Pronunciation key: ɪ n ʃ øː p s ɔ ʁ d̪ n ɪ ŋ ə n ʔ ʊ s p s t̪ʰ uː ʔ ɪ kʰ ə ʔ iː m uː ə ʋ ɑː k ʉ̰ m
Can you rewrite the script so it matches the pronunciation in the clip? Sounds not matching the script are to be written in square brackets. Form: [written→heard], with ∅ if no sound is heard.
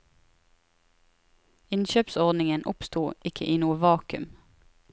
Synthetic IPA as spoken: ɪ n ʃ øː p s ɔ ʁ d̪ n ɪ ŋ ə n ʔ ʊ [s→∅] p s [t̪ʰ→t̪] uː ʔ ɪ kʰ ə ʔ iː [m→n] uː ə ʋ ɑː k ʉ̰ m